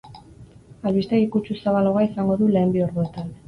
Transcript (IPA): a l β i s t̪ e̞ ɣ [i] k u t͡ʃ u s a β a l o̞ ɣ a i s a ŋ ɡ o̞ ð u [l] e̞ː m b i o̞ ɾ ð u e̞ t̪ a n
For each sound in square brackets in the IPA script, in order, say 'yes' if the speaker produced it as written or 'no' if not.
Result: yes, yes

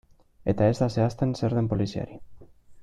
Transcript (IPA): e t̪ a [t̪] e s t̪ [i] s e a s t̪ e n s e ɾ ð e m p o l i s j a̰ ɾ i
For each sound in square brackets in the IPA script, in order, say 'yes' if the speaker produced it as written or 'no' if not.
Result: no, no

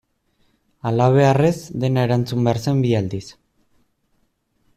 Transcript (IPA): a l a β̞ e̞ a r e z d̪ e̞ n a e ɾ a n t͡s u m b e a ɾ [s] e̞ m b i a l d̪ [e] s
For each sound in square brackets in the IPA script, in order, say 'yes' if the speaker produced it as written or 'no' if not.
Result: yes, no

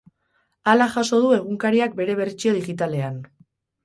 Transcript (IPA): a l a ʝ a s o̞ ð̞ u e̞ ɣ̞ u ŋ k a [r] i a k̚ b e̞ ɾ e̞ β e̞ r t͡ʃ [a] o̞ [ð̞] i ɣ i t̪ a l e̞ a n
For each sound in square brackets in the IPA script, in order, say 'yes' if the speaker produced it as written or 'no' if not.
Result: no, no, yes

